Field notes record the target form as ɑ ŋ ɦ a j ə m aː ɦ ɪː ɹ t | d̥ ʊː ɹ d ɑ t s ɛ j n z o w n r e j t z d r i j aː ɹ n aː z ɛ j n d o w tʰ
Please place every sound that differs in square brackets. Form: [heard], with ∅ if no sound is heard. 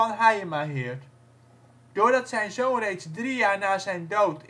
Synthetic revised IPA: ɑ [n] ɦ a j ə m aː ɦ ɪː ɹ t | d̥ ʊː ɹ d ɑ t s ɛ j n z o w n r e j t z d r i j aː ɹ n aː z ɛ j n d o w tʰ